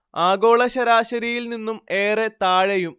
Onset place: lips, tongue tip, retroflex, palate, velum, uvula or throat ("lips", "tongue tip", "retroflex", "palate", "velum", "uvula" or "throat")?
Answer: velum